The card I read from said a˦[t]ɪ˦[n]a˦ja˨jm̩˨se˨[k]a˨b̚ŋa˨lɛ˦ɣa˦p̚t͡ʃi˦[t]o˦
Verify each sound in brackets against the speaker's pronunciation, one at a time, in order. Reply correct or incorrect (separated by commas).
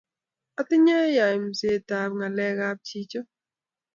correct, incorrect, incorrect, incorrect